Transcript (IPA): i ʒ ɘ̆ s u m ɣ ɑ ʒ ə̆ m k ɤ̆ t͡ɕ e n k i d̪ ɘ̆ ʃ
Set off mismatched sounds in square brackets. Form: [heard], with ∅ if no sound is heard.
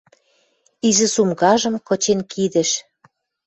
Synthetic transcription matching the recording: i [z] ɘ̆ s u m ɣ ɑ ʒ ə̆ m k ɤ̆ t͡ɕ e n k i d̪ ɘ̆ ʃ